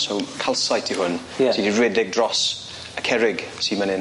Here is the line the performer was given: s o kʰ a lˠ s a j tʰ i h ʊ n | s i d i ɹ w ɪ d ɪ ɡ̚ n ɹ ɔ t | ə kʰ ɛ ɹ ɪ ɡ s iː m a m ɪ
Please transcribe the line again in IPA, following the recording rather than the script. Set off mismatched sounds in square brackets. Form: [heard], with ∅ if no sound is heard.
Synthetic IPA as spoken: s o kʰ a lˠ s a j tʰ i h ʊ n | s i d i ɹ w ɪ d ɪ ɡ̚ [d] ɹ ɔ [s] | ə kʰ ɛ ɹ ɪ ɡ s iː m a [n] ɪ